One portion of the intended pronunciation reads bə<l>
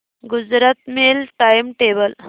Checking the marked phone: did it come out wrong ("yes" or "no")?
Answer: no